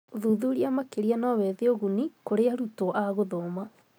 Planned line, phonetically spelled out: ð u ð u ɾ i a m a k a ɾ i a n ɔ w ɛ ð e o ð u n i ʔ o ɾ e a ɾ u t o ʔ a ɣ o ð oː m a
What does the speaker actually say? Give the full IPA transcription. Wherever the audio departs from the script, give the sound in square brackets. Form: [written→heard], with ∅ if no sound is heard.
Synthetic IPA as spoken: ð u ð u ɾ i a m a k [a→e] ɾ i a n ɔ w ɛ ð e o [ð→ɣ] u n i [ʔ→k] o ɾ e a ɾ u t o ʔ a ɣ o ð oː m a